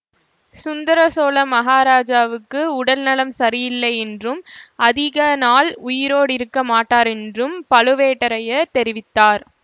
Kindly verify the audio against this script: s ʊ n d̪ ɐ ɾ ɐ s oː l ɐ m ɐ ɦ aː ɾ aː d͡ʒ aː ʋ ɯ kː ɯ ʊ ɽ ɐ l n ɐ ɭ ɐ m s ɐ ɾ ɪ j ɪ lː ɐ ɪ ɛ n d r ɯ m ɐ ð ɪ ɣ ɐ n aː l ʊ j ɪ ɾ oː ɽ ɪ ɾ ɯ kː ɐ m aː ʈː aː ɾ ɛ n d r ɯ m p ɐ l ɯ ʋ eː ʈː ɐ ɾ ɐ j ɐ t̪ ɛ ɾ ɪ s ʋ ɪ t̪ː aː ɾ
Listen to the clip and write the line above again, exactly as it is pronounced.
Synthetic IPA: s ʊ n d̪ ɐ ɾ ɐ s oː l ɐ m ɐ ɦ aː ɾ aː d͡ʒ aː ʋ ɯ kː ɯ ʊ ɽ ɐ l n ɐ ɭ ɐ m s ɐ ɾ ɪ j ɪ lː ɐ ɪ ɛ n d r ɯ m ɐ ð ɪ ɣ ɐ n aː l ʊ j ɪ ɾ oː ɽ ɪ ɾ ɯ kː ɐ m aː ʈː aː ɾ ɛ n d r ɯ m p ɐ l ɯ ʋ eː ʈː ɐ ɾ ɐ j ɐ t̪ ɛ ɾ ɪ ʋ ɪ t̪ː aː ɾ

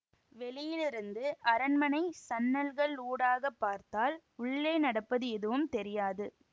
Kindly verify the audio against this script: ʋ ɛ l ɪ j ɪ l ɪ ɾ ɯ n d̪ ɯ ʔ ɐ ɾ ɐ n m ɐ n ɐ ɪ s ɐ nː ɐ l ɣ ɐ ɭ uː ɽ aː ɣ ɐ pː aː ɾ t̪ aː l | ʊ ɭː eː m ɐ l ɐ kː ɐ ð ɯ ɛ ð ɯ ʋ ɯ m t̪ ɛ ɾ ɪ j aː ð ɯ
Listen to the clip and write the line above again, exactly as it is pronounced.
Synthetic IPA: ʋ ɛ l ɪ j ɪ l ɪ ɾ ɯ n d̪ ɯ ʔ ɐ ɾ ɐ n m ɐ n ɐ ɪ s ɐ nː ɐ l ɣ ɐ ɭ uː ɽ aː ɣ ɐ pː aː ɾ t̪ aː l | ʊ ɭː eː n ɐ ɽ ɐ pː ɐ ð ɯ ɛ ð ɯ ʋ ɯ m t̪ ɛ ɾ ɪ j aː ð ɯ

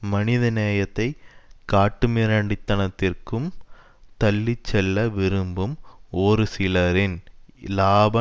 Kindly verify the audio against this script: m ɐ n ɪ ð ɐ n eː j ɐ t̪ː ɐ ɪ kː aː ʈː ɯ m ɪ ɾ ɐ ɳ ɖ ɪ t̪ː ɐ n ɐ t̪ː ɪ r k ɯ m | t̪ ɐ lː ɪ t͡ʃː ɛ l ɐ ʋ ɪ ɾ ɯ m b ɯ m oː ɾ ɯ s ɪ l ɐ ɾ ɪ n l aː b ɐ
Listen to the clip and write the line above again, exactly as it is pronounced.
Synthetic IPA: m ɐ n ɪ ð ɐ n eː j ɐ t̪ː ɐ ɪ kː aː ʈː ɯ m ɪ ɾ ɐ ɳ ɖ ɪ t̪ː ɐ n ɐ t̪ː ɪ r k ɯ m | t̪ ɐ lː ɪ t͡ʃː ɛ lː ɐ ʋ ɪ ɾ ɯ m b ɯ m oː ɾ ɯ s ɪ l ɐ ɾ ɪ n l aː b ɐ

